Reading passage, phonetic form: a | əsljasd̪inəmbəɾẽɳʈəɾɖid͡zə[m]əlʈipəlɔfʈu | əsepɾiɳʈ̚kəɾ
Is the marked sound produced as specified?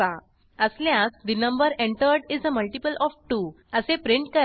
yes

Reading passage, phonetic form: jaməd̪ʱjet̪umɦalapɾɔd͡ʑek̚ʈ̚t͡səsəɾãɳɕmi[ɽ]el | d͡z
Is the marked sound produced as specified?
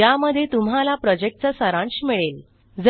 no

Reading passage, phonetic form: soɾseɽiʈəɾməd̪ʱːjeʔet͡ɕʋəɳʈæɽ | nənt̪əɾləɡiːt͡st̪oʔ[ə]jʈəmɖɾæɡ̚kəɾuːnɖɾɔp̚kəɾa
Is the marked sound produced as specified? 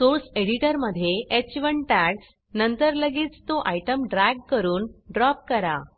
no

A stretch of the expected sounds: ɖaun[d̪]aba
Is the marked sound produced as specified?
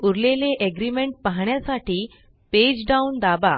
yes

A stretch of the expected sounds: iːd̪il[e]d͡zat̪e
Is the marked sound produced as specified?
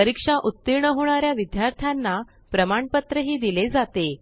yes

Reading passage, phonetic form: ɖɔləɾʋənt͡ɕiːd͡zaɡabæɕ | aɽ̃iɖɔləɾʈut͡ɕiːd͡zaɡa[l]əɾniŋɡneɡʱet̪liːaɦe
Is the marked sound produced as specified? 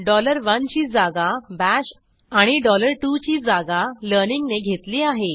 yes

